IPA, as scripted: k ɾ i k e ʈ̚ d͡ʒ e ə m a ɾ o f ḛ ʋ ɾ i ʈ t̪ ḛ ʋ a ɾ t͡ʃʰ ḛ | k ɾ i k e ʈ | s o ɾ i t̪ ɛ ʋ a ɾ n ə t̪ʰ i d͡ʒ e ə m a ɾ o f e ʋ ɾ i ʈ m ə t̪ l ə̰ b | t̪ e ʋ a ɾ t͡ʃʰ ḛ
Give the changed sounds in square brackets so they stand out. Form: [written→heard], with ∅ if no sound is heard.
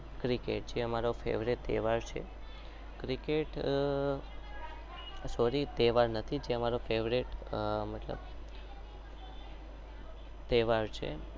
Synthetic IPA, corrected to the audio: k ɾ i k e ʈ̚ d͡ʒ e ə m a ɾ o f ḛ ʋ ɾ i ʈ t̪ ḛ ʋ a ɾ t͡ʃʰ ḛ | k ɾ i k e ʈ | s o ɾ i t̪ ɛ ʋ a ɾ n ə t̪ʰ i d͡ʒ e ə m a ɾ o f e ʋ ɾ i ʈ m ə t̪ l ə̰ b | t̪ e ʋ a ɾ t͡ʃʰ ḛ